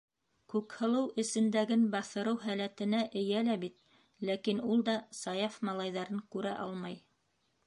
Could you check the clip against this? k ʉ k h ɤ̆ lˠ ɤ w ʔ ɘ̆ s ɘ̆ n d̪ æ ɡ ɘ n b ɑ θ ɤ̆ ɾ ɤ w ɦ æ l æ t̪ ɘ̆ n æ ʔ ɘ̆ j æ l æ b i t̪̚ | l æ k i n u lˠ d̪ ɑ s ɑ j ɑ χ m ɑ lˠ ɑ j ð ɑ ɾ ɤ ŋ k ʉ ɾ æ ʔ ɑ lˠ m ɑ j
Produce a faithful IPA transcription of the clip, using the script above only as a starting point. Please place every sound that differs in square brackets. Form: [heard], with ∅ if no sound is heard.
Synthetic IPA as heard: k ʉ k h ɤ̆ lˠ ɤ w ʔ ɘ̆ s ɘ̆ n d̪ æ ɡ ɘ n b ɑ θ ɤ̆ ɾ ɤ w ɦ æ l æ t̪ ɘ̆ n æ ʔ ɘ̆ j æ l æ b i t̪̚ | l æ k i n u lˠ d̪ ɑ s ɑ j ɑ [f] m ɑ lˠ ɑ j ð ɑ ɾ ɤ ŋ k ʉ ɾ æ ʔ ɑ lˠ m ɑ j